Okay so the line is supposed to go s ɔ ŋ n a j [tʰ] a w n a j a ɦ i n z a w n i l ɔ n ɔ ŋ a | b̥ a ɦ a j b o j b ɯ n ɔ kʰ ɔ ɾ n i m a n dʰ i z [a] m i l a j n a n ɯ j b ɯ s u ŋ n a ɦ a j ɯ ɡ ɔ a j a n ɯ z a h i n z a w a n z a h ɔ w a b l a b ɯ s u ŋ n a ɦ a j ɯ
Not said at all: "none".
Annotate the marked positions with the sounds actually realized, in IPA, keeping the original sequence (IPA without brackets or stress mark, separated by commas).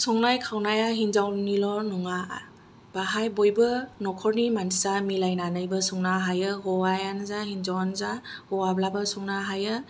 kʰ, a